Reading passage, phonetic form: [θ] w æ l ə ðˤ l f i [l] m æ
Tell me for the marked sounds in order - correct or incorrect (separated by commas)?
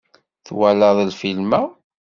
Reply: correct, correct